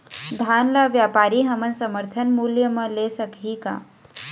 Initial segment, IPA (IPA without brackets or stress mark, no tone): d̪ʱ